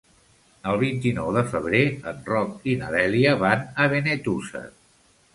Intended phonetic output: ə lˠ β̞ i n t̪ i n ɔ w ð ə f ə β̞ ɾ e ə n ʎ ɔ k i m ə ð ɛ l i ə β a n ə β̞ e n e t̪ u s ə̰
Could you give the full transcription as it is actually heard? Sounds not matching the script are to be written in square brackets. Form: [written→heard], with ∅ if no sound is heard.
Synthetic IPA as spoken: ə lˠ β̞ i n t̪ i n ɔ w ð ə f ə β̞ ɾ e ə n [ʎ→r] ɔ k i [m→n] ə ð ɛ l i ə β a n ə β̞ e n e t̪ u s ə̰